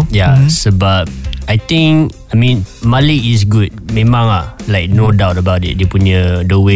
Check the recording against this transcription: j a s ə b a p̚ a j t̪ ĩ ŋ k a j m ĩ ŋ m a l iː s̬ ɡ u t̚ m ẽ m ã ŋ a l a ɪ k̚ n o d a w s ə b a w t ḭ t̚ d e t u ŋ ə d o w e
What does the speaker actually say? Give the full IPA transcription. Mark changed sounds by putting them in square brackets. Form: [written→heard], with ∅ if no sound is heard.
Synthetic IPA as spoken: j a s ə b a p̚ a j t̪ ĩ ŋ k a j m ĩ [ŋ→n] m a l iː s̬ ɡ u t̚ m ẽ m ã ŋ a l a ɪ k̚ n o d a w [s→t] ə b a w t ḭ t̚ d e [t→p] u [ŋ→ɲ] ə d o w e